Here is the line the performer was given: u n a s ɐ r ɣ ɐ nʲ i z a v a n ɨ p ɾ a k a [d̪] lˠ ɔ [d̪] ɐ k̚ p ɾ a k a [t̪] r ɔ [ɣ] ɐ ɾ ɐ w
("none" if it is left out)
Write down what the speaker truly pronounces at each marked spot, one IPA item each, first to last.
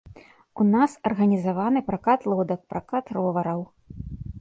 t̪, d̪, t̪, v

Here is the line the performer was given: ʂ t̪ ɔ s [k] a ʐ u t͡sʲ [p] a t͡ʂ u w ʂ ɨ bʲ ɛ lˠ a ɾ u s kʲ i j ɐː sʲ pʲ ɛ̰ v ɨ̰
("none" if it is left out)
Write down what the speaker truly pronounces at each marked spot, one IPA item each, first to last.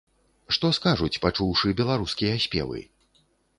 k, p

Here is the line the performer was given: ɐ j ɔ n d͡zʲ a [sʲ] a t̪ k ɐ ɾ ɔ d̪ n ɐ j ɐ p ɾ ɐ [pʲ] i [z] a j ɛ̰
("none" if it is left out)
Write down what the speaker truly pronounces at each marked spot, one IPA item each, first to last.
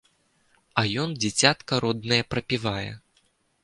t͡sʲ, pʲ, v

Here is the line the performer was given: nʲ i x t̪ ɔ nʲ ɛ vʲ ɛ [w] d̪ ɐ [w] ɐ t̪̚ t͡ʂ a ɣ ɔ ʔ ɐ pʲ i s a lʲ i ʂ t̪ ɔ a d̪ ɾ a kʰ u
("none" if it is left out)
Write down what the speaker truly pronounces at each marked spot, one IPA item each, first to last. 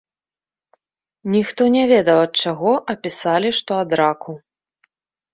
none, w

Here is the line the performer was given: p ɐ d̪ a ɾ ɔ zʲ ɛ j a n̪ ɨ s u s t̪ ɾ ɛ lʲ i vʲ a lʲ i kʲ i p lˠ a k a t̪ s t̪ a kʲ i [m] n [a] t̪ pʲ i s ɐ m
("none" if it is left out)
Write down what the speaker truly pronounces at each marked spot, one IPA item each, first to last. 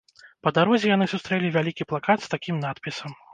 m, a

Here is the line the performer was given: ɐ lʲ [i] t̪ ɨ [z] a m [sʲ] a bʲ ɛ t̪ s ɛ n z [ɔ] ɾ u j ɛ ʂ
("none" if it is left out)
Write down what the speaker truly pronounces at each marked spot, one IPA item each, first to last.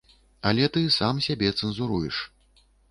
ɛ, s, sʲ, u

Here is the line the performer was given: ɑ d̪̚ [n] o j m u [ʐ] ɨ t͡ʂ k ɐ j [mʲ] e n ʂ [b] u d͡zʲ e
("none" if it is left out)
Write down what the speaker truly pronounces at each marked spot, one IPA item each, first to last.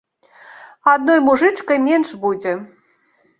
n, ʐ, mʲ, b

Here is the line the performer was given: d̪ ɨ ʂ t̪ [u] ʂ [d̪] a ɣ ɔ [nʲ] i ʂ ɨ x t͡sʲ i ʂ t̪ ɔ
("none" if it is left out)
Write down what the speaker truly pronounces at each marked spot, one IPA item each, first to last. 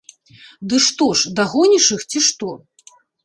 ɔ, d̪, nʲ

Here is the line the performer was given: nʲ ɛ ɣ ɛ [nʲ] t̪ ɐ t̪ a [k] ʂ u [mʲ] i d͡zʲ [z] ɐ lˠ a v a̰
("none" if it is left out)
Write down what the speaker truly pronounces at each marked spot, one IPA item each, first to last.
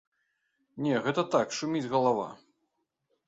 none, k, mʲ, ɣ

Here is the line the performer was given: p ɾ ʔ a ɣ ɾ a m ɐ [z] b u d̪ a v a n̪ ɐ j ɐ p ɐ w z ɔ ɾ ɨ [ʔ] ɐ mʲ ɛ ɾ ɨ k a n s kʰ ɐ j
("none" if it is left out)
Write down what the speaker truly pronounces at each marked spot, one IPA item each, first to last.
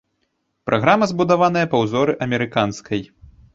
z, ʔ

